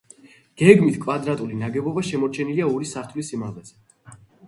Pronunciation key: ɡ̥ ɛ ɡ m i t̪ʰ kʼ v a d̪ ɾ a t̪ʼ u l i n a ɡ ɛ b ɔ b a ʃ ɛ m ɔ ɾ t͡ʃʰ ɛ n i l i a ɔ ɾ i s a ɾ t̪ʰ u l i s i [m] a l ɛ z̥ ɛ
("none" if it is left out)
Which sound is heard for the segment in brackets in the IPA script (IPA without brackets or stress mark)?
m